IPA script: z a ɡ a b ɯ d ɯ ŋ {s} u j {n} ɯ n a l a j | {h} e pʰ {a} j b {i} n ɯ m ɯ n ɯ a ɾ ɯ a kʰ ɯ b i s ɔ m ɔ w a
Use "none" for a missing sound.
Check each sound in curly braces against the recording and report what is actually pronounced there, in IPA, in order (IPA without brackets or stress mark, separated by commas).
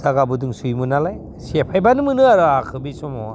s, m, s, a, a